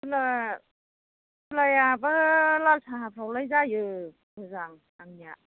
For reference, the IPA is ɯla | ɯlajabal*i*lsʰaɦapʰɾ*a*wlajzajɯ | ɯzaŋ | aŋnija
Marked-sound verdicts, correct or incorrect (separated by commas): incorrect, correct